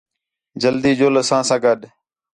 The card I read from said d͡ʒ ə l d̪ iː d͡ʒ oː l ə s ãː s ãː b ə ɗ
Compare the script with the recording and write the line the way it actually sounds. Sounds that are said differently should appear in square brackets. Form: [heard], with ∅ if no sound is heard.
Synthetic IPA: d͡ʒ ə l d̪ iː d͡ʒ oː l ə s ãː s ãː [ɡ] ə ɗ